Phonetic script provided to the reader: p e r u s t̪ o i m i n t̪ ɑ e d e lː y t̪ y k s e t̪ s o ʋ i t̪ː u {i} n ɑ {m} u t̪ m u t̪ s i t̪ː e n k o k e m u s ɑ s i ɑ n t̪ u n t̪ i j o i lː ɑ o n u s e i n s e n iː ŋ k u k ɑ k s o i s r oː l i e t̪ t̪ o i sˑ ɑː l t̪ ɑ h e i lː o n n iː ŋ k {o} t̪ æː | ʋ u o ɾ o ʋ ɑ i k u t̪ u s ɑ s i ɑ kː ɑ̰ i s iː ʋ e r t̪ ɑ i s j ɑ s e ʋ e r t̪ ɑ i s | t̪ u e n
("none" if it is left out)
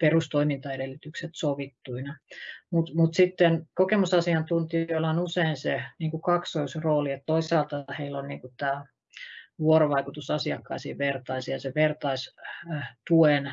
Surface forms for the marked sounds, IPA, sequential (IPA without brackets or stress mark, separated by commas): i, m, u